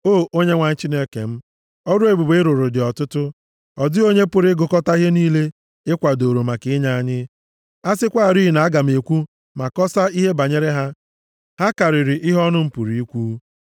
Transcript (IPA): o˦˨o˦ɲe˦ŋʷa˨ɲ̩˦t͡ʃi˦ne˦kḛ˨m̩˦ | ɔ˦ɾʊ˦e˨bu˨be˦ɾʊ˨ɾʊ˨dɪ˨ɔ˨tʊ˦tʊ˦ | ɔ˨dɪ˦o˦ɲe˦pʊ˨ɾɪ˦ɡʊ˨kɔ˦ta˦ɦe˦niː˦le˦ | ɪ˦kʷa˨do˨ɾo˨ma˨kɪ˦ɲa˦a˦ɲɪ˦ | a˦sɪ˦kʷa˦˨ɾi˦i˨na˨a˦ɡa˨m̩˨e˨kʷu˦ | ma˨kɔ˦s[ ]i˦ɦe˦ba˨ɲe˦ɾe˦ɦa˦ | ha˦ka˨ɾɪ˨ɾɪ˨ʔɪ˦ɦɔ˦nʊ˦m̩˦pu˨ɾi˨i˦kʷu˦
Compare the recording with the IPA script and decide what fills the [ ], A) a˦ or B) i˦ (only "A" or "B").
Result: A